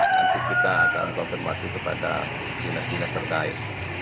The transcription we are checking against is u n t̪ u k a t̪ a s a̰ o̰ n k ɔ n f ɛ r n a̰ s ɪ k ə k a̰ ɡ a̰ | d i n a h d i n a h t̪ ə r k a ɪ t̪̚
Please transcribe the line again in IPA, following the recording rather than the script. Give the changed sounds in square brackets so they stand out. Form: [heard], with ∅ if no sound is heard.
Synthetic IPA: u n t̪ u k [i] t̪ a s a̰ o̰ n k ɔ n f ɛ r [m] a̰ s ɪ k ə [p] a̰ [d] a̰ | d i n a [s] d i n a [s] t̪ ə r k a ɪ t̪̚

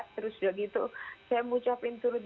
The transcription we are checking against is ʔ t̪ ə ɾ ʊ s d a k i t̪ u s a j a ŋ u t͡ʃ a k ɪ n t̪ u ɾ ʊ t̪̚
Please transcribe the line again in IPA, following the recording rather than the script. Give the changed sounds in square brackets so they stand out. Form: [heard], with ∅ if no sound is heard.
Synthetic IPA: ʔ t̪ ə ɾ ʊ s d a [ɡ] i t̪ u s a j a [m] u t͡ʃ a [p] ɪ n t̪ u ɾ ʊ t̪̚

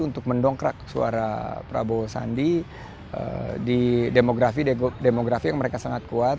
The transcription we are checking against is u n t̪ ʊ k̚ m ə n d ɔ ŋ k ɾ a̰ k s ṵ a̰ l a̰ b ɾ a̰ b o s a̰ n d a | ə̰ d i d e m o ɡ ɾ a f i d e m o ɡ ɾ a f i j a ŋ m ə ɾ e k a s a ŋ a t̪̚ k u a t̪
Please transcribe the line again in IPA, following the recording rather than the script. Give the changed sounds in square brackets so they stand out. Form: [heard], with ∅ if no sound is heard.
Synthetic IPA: u n t̪ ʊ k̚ m ə n d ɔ ŋ k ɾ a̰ k s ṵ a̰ [ɾ] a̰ [p] ɾ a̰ b o s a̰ n d [i] | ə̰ d i d e m o ɡ ɾ a f i d e m o ɡ ɾ a f i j a ŋ m ə ɾ e k a s a ŋ a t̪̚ k u a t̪

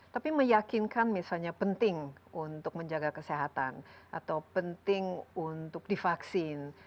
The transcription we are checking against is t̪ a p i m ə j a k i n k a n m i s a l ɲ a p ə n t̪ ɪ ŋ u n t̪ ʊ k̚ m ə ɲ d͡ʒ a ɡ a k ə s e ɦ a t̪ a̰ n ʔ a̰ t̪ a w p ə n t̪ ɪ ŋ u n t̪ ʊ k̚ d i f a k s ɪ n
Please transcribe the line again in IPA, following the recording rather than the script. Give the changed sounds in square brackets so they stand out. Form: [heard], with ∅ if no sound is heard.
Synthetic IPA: t̪ a p i m ə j a k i n k a n m i s a l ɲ a p ə n t̪ ɪ ŋ u n t̪ ʊ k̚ m ə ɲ d͡ʒ a ɡ a k ə s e ɦ a t̪ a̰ n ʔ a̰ t̪ a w p ə n t̪ ɪ ŋ u n t̪ ʊ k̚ d i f a k s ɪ n

